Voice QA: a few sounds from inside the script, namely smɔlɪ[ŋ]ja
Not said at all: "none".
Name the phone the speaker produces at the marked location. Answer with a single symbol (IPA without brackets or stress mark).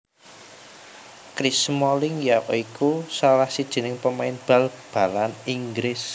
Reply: ŋ